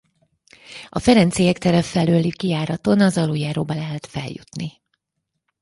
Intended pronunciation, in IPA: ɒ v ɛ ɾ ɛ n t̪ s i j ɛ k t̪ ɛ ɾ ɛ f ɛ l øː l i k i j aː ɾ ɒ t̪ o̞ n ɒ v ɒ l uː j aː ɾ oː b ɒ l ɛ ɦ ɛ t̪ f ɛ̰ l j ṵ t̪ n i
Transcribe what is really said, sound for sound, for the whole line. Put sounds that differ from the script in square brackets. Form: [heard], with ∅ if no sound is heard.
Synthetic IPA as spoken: ɒ [f] ɛ ɾ ɛ n t̪ s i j ɛ k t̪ ɛ ɾ ɛ f ɛ l øː l i k i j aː ɾ ɒ t̪ o̞ n ɒ [z] ɒ l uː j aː ɾ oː b ɒ l ɛ ɦ ɛ t̪ f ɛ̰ l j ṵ t̪ n i

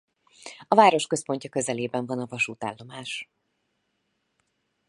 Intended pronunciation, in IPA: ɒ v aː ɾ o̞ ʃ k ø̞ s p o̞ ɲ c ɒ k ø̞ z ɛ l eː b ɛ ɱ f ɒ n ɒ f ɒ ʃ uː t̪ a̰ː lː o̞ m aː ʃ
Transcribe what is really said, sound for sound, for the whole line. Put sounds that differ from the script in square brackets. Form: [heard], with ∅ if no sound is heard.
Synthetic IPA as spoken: ɒ v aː ɾ o̞ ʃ k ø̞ s p o̞ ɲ c ɒ k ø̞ z ɛ l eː b ɛ ɱ [v] ɒ n ɒ [v] ɒ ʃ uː t̪ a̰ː lː o̞ m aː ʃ

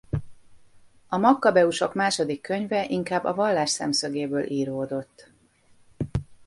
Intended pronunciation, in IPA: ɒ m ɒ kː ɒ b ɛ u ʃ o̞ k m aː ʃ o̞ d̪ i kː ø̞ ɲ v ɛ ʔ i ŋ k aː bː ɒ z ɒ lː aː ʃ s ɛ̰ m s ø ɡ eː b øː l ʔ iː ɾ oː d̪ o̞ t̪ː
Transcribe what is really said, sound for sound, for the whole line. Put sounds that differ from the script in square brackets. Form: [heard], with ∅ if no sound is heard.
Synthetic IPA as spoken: ɒ m ɒ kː ɒ b ɛ u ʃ o̞ k m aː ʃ o̞ d̪ i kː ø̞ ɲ v ɛ ʔ i ŋ k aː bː ɒ [v] ɒ lː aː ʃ s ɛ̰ m s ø ɡ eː b øː l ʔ iː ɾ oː d̪ o̞ t̪ː

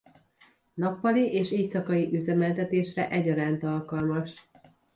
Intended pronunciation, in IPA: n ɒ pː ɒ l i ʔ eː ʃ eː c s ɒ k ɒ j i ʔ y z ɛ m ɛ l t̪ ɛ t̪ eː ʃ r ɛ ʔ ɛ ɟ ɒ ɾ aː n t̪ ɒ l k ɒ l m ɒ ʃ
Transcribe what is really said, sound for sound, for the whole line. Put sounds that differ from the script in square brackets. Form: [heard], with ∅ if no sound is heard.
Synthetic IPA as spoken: n ɒ pː ɒ l i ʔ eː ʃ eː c s ɒ k ɒ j i ʔ y z ɛ m ɛ l t̪ ɛ t̪ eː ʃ r ɛ ʔ ɛ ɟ ɒ ɾ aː n t̪ ɒ l k ɒ l m ɒ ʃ

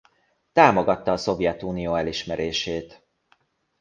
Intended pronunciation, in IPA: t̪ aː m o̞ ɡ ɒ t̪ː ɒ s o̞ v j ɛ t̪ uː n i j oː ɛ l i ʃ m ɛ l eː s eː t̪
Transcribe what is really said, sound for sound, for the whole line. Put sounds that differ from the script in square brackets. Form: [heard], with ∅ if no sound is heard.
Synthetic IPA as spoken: t̪ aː m o̞ ɡ ɒ t̪ː [ɒː] s o̞ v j ɛ t̪ uː n i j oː ɛ l i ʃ m ɛ [ɾ] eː [ʃ] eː t̪

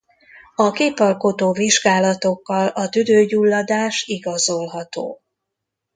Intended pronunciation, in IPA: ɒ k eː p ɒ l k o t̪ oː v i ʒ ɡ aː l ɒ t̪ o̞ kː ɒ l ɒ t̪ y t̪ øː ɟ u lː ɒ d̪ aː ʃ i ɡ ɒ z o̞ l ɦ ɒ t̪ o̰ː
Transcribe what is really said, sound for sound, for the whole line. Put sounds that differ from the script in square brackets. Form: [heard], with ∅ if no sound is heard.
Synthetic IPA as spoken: ɒ k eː p ɒ l k o t̪ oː v i ʒ ɡ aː l ɒ t̪ o̞ kː ɒ l ɒ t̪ y [d̪] øː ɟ u lː ɒ d̪ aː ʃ i ɡ ɒ z o̞ l ɦ ɒ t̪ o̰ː

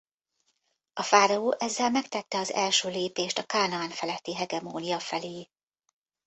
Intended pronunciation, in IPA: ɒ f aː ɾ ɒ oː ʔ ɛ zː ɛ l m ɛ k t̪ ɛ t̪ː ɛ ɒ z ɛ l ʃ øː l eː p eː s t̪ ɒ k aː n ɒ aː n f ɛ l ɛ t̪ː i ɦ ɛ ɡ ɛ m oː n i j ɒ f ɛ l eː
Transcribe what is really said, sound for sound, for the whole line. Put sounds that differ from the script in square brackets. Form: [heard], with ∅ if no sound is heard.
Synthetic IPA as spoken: ɒ f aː ɾ ɒ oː ʔ ɛ zː ɛ l m ɛ k t̪ ɛ t̪ː ɛ ɒ z ɛ l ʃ øː l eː p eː [ʃ] t̪ ɒ k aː n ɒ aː n f ɛ l ɛ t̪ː i ɦ ɛ ɡ ɛ m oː n i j ɒ f ɛ l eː

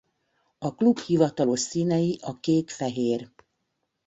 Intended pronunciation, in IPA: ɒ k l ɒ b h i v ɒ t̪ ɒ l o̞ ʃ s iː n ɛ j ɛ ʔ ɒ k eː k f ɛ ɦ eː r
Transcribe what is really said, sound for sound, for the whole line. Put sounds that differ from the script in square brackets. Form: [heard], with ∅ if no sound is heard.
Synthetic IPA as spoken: ɒ k l [u] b h i v ɒ t̪ ɒ l o̞ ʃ s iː n ɛ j [i] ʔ ɒ k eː k f ɛ ɦ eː r

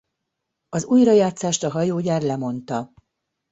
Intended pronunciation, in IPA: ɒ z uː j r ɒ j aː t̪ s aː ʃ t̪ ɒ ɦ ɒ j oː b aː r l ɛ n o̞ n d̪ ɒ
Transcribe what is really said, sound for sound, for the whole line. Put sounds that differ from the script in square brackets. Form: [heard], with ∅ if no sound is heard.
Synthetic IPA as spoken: ɒ z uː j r ɒ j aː t̪ s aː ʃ t̪ ɒ ɦ ɒ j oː [ɟ] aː r l ɛ [m] o̞ n [t̪] ɒ

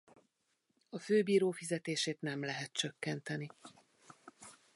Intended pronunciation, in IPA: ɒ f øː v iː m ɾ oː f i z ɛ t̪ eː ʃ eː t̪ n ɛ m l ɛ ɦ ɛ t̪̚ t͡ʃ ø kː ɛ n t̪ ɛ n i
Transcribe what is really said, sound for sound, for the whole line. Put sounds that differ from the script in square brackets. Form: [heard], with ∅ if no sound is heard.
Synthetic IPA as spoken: ɒ f øː [b] iː [∅] ɾ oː f i z ɛ t̪ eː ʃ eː t̪ n ɛ m l ɛ ɦ ɛ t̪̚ t͡ʃ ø kː ɛ n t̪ ɛ n i

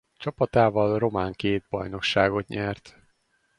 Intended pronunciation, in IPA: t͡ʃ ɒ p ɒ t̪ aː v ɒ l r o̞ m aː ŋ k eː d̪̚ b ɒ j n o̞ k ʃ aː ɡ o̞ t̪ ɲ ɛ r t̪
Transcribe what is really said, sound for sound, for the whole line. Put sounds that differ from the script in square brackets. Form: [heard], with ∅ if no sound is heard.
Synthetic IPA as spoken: t͡ʃ ɒ p ɒ t̪ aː v ɒ l r o̞ m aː ŋ k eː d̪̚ b ɒ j n o̞ k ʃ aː ɡ o̞ t̪ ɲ ɛ r t̪

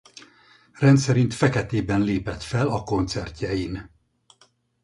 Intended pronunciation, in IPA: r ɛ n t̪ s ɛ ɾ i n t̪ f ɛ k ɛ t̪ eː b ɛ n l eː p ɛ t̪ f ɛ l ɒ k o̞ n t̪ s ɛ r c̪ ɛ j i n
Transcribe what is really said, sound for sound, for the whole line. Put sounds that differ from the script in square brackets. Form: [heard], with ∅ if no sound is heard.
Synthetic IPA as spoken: r ɛ n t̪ s ɛ ɾ i n t̪ f ɛ k ɛ t̪ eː b ɛ n l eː p ɛ t̪ f ɛ l ɒ k o̞ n t̪ s ɛ r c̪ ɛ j i n

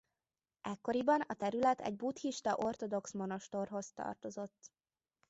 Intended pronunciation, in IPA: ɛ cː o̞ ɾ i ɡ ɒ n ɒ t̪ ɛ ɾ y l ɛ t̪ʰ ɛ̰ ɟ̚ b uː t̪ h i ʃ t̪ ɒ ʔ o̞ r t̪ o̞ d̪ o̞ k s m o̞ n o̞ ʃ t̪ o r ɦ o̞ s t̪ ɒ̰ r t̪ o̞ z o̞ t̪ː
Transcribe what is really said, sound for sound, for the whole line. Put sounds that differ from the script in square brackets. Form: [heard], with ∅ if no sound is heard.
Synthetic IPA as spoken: ɛ [kː] o̞ ɾ i [b] ɒ n ɒ t̪ ɛ ɾ y l ɛ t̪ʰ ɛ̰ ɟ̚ b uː t̪ h i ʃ t̪ ɒ ʔ o̞ r t̪ o̞ d̪ o̞ k s m o̞ n o̞ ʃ t̪ o r ɦ o̞ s t̪ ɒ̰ r t̪ o̞ z o̞ t̪ː

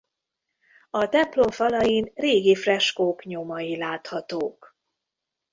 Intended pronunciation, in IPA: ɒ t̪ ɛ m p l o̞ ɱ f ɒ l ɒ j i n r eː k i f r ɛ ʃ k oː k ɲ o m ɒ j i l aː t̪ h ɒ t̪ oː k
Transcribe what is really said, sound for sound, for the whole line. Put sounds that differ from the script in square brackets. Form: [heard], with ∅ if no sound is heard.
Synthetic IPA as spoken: ɒ t̪ ɛ m p l o̞ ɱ f ɒ l ɒ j i n r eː [ɡ] i f r ɛ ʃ k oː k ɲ o m ɒ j i l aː t̪ h ɒ t̪ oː k

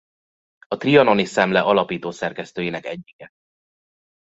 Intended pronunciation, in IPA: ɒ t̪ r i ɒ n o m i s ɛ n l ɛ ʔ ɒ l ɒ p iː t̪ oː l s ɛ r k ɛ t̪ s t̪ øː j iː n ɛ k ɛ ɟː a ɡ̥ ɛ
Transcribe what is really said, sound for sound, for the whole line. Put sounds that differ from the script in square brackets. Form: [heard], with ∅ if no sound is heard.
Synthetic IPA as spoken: ɒ t̪ r i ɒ n o [n] i s ɛ [m] l ɛ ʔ ɒ l ɒ p iː t̪ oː [∅] s ɛ r k ɛ [∅] s t̪ øː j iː n ɛ k ɛ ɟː [i] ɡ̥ ɛ

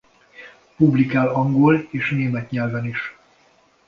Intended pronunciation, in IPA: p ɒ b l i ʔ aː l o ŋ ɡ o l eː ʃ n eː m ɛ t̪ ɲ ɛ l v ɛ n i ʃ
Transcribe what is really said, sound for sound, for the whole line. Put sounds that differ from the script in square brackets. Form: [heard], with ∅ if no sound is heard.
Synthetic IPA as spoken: p [u] b l i [k] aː l [ɒ] ŋ ɡ o l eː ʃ n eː m ɛ t̪ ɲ ɛ l v ɛ n i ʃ

